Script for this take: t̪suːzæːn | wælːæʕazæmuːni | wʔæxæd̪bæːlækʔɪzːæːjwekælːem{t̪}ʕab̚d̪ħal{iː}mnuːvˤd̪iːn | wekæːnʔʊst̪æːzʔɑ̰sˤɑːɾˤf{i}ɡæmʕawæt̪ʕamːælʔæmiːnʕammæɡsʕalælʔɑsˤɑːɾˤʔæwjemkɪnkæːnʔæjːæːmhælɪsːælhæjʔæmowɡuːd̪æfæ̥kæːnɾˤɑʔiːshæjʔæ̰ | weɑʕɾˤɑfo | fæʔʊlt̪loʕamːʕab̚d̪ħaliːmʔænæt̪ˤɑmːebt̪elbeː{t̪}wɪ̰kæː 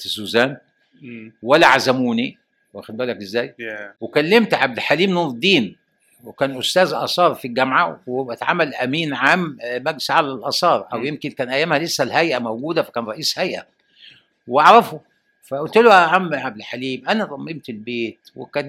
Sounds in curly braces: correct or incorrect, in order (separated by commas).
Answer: correct, correct, correct, correct